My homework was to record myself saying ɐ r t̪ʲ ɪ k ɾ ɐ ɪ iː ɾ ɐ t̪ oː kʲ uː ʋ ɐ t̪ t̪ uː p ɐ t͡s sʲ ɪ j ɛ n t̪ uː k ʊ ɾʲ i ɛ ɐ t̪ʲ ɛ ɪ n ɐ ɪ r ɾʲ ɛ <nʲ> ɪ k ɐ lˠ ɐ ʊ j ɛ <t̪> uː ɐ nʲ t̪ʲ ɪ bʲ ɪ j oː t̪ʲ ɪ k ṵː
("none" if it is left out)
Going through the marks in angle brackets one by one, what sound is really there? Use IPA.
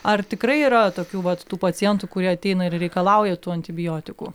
none, t̪

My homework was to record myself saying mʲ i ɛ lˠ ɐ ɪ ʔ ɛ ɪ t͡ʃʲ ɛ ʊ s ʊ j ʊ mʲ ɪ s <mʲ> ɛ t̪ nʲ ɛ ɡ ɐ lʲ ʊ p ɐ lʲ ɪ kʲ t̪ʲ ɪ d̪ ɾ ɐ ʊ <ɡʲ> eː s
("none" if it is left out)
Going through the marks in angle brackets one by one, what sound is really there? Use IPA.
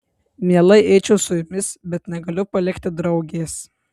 bʲ, ɡʲ

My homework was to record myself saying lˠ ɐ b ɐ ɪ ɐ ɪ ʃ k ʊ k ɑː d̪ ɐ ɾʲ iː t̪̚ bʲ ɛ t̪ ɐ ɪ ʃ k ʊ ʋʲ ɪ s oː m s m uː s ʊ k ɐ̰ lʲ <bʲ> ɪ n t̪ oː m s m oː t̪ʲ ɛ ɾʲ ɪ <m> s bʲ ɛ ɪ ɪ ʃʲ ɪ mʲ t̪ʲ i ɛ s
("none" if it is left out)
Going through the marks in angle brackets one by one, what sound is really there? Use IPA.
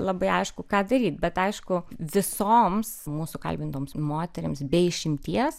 bʲ, m

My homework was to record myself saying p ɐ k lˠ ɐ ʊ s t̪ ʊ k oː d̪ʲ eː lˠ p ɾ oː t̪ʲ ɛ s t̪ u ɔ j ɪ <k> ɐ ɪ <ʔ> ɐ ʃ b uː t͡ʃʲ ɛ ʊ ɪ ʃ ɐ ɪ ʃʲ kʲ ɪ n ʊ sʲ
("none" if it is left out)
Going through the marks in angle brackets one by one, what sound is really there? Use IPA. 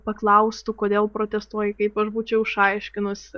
k, p

